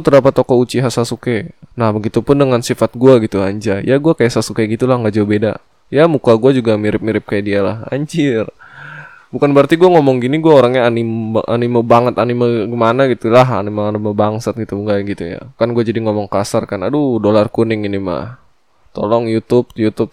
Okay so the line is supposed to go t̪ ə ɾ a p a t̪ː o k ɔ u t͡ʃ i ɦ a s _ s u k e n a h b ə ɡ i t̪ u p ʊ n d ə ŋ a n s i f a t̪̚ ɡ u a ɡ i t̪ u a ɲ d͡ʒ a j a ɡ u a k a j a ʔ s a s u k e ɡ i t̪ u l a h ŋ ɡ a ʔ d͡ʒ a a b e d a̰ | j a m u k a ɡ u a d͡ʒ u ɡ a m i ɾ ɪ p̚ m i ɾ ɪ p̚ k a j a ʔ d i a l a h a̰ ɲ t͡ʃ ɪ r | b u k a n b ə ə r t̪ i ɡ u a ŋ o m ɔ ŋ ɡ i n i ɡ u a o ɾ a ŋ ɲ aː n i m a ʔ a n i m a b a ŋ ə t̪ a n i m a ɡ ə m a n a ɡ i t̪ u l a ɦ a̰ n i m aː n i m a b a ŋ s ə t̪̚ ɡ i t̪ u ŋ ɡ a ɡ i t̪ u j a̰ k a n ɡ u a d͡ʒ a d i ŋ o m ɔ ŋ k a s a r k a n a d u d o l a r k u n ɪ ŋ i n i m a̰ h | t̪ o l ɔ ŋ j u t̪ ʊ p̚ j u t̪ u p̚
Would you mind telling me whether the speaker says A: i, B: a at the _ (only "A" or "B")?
B